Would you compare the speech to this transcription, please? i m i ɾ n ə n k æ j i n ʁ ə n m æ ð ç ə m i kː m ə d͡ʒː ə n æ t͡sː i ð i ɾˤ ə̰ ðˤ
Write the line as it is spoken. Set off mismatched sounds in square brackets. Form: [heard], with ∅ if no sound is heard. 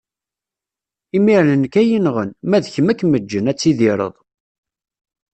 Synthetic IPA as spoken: i m i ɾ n ə n k æ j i n ʁ ə n m æ ð ç ə m [æ] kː m ə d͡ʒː ə n æ t͡sː i ð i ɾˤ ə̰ ðˤ